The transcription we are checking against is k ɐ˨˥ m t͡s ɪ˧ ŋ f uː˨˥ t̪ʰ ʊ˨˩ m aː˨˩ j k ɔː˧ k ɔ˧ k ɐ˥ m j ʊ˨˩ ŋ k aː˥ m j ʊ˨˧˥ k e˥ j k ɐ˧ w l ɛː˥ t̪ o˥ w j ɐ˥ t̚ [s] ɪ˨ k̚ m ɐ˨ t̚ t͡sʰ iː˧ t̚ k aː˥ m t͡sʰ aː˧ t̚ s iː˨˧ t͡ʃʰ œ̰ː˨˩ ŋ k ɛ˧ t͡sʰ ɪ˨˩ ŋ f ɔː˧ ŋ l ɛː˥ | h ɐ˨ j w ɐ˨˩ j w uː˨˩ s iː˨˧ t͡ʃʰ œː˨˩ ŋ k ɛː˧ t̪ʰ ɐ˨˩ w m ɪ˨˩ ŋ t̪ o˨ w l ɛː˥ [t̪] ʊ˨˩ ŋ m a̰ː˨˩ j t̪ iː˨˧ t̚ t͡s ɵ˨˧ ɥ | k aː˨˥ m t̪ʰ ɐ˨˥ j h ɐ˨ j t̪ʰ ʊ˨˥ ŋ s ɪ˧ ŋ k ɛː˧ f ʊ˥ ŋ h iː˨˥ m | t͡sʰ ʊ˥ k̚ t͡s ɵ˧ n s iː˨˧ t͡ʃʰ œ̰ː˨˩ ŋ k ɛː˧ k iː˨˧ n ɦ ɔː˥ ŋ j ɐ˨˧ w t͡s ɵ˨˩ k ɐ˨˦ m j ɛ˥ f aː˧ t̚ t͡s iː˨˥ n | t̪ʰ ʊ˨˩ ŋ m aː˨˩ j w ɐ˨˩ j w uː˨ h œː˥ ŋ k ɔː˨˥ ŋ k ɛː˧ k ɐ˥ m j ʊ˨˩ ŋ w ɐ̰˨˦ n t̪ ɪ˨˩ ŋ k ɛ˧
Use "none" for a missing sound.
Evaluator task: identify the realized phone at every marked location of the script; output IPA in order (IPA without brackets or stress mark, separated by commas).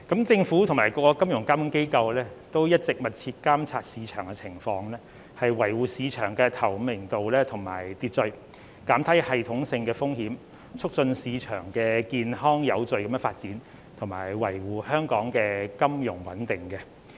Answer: t͡s, t̪ʰ